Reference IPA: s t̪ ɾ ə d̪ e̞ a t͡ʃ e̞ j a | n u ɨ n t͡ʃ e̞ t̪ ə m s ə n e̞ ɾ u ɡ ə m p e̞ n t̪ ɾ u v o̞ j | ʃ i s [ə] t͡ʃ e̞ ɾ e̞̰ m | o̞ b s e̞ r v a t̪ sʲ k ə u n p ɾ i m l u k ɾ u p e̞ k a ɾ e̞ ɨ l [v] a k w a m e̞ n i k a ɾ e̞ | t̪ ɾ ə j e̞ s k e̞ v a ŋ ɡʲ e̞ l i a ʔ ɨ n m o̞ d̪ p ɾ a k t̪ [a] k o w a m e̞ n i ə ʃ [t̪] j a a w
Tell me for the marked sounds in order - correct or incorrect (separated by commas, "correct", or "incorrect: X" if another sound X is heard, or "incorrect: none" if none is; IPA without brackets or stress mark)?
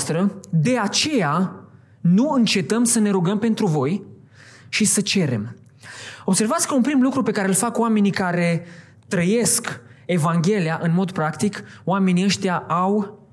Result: correct, incorrect: f, incorrect: i, correct